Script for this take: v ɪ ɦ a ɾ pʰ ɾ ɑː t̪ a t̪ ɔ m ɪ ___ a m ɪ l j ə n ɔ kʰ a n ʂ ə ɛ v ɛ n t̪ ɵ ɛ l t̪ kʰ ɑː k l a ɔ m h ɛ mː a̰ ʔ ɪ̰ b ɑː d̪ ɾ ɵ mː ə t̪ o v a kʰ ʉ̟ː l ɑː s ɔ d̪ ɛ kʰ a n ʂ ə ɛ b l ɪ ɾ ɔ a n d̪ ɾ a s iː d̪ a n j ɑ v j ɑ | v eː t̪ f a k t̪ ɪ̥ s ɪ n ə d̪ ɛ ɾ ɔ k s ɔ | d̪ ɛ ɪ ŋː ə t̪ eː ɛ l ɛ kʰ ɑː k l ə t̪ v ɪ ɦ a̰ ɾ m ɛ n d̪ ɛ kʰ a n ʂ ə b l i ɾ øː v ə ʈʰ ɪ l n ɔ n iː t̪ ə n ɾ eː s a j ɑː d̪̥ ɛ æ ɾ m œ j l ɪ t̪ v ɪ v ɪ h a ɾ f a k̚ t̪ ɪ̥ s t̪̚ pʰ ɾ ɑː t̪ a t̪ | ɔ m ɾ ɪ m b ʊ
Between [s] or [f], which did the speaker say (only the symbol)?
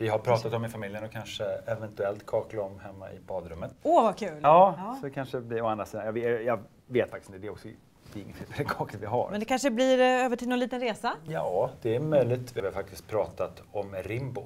f